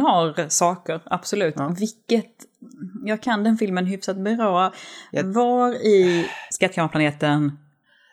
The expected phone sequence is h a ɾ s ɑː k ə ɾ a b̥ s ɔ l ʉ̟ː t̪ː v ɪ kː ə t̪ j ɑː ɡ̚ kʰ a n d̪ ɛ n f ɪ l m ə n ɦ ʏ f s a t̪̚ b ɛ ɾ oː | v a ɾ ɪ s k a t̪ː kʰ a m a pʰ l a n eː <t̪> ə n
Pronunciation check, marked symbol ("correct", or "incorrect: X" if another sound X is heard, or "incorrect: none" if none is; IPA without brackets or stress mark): correct